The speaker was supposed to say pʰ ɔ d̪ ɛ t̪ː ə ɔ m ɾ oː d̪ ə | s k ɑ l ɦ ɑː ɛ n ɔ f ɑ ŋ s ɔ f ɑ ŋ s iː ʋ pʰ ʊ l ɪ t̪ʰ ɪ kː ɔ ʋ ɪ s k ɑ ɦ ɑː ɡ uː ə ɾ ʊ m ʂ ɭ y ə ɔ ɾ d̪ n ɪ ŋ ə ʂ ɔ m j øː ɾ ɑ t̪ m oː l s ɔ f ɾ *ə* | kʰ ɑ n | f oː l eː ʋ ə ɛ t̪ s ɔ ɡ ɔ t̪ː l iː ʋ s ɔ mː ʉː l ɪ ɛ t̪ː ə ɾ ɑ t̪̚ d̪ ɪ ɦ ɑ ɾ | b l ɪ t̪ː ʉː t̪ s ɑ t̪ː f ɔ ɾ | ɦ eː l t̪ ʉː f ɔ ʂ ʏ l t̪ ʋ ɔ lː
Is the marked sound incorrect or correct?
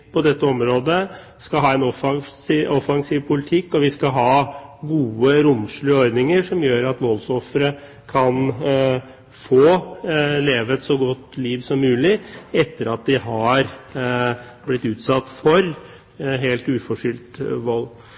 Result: correct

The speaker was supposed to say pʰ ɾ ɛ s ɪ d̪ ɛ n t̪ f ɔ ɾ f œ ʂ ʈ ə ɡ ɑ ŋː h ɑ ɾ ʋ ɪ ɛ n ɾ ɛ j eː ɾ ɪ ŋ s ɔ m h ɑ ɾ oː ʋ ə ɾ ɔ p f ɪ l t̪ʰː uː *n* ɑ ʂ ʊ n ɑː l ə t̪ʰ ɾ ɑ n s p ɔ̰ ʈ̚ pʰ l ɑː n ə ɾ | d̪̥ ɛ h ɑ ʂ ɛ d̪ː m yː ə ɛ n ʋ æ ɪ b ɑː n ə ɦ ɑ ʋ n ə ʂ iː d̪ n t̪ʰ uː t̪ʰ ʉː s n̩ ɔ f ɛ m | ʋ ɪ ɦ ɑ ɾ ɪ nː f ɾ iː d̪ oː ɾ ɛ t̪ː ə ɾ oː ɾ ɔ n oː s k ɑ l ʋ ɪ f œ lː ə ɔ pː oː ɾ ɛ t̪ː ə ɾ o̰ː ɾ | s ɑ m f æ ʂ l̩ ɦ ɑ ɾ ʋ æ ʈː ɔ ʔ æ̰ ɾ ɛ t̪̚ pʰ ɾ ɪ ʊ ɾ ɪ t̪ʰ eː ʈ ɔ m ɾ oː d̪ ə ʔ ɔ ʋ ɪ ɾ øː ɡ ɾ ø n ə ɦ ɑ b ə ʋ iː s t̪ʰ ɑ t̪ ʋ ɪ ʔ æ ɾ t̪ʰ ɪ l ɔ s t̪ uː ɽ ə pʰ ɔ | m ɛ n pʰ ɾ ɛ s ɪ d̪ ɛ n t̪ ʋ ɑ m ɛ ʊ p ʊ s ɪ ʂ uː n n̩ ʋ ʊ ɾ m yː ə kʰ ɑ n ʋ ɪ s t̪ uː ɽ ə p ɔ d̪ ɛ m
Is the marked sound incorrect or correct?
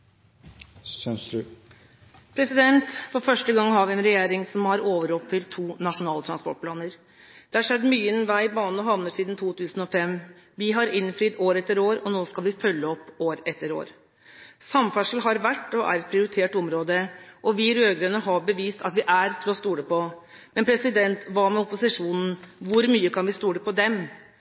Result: correct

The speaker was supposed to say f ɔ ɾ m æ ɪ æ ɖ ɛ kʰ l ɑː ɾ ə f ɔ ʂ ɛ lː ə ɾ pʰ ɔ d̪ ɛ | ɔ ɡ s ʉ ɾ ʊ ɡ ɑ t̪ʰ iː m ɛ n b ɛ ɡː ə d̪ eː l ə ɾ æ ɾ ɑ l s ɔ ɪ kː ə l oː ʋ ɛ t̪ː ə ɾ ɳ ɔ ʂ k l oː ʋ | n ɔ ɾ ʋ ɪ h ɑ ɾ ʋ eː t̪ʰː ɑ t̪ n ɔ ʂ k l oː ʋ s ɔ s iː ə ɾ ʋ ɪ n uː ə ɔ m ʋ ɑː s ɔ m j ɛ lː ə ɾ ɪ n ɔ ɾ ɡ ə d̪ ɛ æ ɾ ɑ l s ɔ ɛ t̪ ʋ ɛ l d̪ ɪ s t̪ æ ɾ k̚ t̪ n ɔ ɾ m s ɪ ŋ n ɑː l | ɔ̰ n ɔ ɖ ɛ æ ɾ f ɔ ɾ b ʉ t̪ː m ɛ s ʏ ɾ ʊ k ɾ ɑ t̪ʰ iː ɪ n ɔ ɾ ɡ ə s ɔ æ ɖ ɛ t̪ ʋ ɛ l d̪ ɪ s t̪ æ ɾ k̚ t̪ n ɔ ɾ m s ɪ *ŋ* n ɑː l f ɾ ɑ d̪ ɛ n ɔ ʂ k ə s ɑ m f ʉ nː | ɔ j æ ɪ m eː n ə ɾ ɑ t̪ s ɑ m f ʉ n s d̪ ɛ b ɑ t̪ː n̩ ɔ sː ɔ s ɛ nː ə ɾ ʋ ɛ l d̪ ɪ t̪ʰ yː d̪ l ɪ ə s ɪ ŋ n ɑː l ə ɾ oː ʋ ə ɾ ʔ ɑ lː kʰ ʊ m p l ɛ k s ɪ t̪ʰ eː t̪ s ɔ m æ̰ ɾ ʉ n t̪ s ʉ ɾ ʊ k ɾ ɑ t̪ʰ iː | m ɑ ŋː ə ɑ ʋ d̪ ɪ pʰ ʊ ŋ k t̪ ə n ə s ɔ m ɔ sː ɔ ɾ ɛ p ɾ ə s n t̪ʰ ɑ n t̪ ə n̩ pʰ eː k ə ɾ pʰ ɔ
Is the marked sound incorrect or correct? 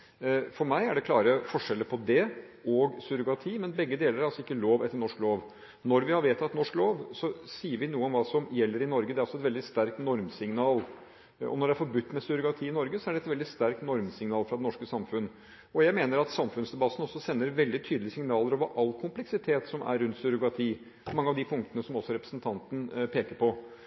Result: correct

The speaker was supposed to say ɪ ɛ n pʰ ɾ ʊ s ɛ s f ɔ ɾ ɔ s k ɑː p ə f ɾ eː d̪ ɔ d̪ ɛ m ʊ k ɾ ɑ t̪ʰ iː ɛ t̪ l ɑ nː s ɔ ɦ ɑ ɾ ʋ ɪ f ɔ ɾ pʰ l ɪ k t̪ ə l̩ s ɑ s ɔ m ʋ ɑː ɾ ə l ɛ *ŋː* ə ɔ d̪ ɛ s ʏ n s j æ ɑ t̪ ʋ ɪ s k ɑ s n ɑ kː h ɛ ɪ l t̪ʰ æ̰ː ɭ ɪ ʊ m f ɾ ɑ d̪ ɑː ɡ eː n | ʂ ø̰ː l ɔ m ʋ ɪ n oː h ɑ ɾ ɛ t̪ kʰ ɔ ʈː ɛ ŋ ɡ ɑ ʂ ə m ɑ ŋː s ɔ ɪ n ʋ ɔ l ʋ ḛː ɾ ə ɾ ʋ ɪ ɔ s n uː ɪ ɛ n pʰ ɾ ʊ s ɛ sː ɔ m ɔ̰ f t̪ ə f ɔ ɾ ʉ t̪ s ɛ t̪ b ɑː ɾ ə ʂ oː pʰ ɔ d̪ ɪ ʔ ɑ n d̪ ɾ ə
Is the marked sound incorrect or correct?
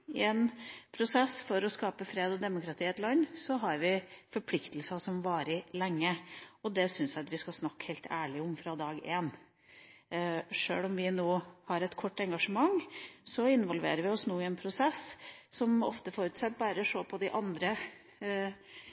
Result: correct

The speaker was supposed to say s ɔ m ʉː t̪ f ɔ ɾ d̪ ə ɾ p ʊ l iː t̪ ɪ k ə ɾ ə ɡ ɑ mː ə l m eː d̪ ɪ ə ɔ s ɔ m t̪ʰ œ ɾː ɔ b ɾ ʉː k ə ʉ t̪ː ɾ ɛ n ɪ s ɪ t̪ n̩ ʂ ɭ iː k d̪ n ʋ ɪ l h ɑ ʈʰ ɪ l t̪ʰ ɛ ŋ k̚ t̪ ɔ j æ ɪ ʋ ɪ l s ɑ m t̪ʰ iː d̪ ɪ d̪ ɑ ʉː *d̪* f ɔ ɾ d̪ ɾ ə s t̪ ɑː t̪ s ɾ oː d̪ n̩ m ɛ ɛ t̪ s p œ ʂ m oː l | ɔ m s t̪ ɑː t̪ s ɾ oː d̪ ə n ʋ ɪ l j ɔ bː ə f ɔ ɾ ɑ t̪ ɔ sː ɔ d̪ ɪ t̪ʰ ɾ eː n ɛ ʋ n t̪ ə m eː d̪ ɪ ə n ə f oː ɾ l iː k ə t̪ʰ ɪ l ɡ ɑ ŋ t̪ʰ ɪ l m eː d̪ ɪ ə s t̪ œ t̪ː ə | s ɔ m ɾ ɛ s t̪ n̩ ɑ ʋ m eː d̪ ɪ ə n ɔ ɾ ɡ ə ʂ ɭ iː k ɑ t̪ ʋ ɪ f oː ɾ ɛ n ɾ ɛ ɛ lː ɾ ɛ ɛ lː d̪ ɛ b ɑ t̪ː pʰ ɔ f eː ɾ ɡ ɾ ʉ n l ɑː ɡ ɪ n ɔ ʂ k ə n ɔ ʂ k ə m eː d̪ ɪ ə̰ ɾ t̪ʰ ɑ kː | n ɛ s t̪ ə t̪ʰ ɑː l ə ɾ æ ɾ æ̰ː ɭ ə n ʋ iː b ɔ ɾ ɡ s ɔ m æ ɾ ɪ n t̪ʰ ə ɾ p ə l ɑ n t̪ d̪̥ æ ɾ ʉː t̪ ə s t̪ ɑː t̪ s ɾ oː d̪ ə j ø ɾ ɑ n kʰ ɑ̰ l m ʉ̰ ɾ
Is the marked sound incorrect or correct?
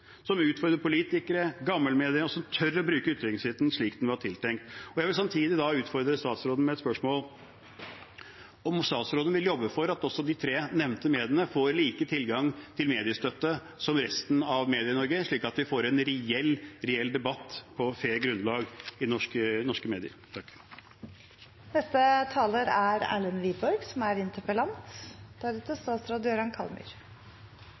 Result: incorrect: t̪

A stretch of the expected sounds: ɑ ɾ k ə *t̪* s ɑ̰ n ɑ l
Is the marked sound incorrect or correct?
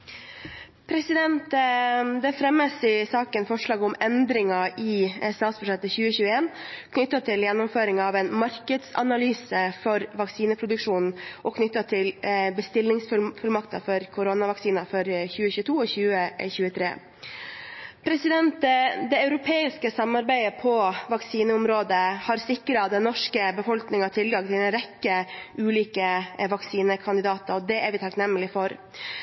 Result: incorrect: d̪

